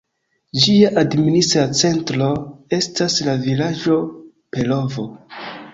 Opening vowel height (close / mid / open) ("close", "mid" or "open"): close